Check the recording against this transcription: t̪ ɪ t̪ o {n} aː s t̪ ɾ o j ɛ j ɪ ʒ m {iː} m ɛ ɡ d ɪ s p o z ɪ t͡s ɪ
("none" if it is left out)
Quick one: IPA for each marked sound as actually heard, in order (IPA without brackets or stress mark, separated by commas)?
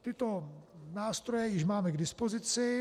n, aː